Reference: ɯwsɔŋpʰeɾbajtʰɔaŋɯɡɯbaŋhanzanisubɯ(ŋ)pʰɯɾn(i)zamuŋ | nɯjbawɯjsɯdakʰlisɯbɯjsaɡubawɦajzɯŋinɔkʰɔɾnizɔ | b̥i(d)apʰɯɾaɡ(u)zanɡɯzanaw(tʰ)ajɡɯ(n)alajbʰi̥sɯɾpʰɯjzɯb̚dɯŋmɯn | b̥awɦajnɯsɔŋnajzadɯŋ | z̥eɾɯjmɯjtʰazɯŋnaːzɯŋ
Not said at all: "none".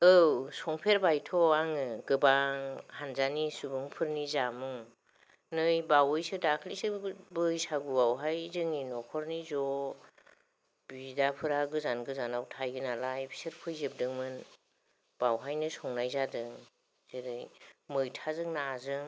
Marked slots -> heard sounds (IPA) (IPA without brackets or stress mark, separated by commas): ŋ, i, d, ɯ, tʰ, n